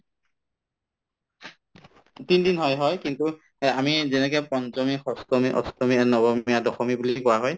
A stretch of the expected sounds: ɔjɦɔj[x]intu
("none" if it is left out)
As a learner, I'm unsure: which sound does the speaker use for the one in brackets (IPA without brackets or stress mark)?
k